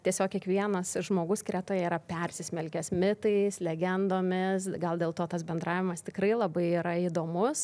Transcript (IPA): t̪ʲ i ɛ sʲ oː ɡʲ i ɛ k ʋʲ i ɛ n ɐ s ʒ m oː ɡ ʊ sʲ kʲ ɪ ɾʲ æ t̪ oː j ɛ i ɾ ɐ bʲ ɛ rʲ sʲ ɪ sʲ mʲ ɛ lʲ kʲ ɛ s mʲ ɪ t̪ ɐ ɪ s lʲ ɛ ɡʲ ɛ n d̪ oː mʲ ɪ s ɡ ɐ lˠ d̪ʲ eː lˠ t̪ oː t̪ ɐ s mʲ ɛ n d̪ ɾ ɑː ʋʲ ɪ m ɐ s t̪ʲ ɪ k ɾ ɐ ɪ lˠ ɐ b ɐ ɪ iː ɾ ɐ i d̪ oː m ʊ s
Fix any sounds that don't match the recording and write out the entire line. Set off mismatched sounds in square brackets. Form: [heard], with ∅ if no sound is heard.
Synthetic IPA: t̪ʲ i ɛ sʲ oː [kʲ] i ɛ k ʋʲ i ɛ n ɐ s ʒ m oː ɡ ʊ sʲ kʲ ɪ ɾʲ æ t̪ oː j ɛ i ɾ ɐ [pʲ] ɛ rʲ sʲ ɪ sʲ mʲ ɛ lʲ kʲ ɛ s mʲ ɪ t̪ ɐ ɪ s lʲ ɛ ɡʲ ɛ n d̪ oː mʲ ɪ s ɡ ɐ lˠ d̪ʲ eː lˠ t̪ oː t̪ ɐ s [bʲ] ɛ n d̪ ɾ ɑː ʋʲ ɪ m ɐ s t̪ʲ ɪ k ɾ ɐ ɪ lˠ ɐ b ɐ ɪ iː ɾ ɐ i d̪ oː m ʊ s

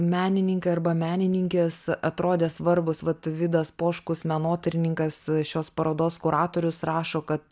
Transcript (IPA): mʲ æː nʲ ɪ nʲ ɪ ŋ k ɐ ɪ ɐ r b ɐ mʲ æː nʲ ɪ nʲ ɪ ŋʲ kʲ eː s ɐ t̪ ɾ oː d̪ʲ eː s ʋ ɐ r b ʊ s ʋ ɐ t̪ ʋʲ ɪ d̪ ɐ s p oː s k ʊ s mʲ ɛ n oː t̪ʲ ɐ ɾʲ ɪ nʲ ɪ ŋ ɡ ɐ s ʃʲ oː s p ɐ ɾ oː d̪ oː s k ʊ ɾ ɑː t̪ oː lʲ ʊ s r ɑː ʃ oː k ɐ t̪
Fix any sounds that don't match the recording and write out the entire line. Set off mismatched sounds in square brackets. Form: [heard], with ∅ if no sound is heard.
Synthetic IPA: mʲ æː nʲ ɪ nʲ ɪ ŋ k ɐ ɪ ɐ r b ɐ mʲ æː nʲ ɪ nʲ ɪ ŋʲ kʲ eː s ɐ t̪ ɾ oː d̪ʲ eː s ʋ ɐ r b ʊ s ʋ ɐ t̪ ʋʲ ɪ d̪ ɐ s p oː [ʃ] k ʊ s mʲ ɛ n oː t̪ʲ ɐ ɾʲ ɪ nʲ ɪ ŋ [k] ɐ s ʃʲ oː s p ɐ ɾ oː d̪ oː s k ʊ ɾ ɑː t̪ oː [ɾʲ] ʊ s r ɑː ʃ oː k ɐ t̪

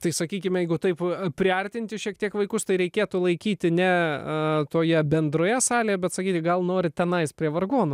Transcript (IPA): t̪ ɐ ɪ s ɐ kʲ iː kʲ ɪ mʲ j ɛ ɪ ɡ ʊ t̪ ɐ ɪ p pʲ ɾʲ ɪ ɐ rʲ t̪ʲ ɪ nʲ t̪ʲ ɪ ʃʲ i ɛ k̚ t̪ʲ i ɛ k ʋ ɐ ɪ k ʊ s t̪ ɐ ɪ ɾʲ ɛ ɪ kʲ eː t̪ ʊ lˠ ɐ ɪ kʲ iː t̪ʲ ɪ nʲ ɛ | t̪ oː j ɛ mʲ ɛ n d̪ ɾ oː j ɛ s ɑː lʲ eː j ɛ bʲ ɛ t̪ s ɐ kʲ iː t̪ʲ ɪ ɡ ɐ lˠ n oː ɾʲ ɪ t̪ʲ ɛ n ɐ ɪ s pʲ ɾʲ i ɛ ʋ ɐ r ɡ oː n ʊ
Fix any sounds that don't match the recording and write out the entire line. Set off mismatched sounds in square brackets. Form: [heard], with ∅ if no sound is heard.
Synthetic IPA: t̪ ɐ ɪ s ɐ kʲ iː kʲ ɪ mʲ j ɛ ɪ ɡ ʊ t̪ ɐ ɪ p pʲ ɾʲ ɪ ɐ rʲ t̪ʲ ɪ nʲ t̪ʲ ɪ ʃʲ i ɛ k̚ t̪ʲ i ɛ k ʋ ɐ ɪ k ʊ s t̪ ɐ ɪ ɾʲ ɛ ɪ kʲ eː t̪ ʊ lˠ ɐ ɪ kʲ iː t̪ʲ ɪ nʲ ɛ | t̪ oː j ɛ [bʲ] ɛ n d̪ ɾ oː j ɛ s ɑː lʲ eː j ɛ bʲ ɛ t̪ s ɐ kʲ iː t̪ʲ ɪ ɡ ɐ lˠ n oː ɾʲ ɪ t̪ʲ ɛ n ɐ ɪ s pʲ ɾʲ i ɛ ʋ ɐ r ɡ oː n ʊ

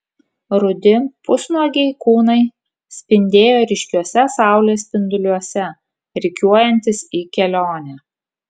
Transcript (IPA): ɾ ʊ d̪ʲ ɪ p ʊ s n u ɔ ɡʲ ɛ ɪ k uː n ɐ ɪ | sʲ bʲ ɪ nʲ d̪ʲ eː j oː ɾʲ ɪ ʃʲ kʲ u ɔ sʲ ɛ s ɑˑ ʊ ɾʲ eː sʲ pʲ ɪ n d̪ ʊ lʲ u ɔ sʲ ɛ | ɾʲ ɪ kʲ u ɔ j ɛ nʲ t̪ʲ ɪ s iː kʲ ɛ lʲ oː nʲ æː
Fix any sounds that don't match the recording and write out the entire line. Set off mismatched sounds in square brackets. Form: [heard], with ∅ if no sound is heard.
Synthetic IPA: ɾ ʊ d̪ʲ ɪ p ʊ s n u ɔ ɡʲ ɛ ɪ k uː n ɐ ɪ | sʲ [pʲ] ɪ nʲ d̪ʲ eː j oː ɾʲ ɪ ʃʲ kʲ u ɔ sʲ ɛ s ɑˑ ʊ [lʲ] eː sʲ pʲ ɪ n d̪ ʊ lʲ u ɔ sʲ ɛ | ɾʲ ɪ kʲ u ɔ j ɛ nʲ t̪ʲ ɪ s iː kʲ ɛ lʲ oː nʲ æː

